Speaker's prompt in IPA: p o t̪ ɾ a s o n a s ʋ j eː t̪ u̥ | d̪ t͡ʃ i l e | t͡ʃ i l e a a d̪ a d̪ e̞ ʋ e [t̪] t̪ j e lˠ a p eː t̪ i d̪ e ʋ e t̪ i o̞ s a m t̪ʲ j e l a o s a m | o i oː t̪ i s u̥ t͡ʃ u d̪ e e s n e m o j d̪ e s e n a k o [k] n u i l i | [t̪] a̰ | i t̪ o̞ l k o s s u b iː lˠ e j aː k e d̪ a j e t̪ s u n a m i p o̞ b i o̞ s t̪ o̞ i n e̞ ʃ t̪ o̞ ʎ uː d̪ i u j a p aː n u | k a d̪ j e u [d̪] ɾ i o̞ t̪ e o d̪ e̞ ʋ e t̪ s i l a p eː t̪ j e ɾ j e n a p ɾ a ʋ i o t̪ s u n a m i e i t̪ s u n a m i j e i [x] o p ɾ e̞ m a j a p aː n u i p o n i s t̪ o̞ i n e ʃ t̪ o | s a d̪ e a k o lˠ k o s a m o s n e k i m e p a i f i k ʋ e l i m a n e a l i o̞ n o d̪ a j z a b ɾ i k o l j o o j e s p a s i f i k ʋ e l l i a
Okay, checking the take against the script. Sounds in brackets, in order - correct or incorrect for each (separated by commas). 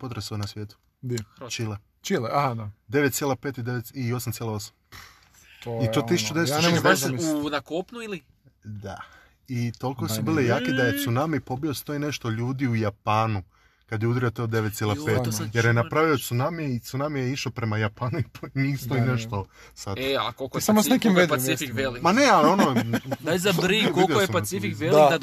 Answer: correct, incorrect, incorrect, correct, incorrect